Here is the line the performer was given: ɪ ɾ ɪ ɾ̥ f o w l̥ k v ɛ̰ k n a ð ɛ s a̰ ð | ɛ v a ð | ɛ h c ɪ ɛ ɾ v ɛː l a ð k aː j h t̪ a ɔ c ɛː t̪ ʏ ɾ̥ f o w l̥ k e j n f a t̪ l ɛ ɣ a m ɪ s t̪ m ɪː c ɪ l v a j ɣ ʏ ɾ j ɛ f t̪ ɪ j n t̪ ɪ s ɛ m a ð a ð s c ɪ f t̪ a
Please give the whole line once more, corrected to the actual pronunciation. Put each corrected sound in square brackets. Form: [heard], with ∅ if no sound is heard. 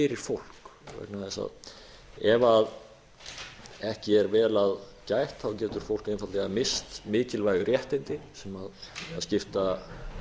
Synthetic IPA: ɪ ɾ ɪ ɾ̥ f o w l̥ k v ɛ̰ k n a ð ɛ s a̰ ð | ɛ v a ð | ɛ h c ɪ ɛ ɾ v ɛː l a ð [c] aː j h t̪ a ɔ c ɛː t̪ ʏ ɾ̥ f o w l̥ k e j n f a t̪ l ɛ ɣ a m ɪ s t̪ m ɪː c ɪ l v a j ɣ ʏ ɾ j ɛ [h] t̪ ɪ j n t̪ ɪ s ɛ m a ð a ð s c ɪ f t̪ a